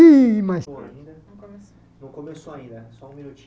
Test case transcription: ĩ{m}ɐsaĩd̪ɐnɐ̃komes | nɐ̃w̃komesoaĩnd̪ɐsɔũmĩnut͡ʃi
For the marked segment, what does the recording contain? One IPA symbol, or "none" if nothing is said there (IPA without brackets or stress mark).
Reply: m